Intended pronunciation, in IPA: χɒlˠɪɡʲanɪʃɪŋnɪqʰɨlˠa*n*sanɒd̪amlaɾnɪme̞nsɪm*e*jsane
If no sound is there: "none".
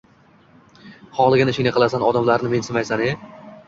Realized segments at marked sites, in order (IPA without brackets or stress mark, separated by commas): none, a